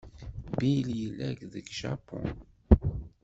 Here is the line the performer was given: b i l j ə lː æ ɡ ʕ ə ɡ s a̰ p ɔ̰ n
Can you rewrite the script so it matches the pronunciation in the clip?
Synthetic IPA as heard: b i l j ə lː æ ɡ ð ə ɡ ʃ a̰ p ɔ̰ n